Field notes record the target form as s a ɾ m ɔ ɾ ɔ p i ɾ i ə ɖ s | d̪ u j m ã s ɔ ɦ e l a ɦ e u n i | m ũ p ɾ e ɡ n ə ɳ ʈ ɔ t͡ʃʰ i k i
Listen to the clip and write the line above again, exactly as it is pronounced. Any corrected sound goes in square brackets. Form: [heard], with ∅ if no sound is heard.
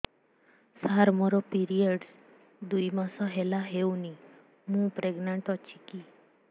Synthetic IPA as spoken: s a ɾ m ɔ ɾ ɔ p i ɾ i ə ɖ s | d̪ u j m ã s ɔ ɦ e l a ɦ e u n i | m ũ p ɾ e ɡ n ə ɳ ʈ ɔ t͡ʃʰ i k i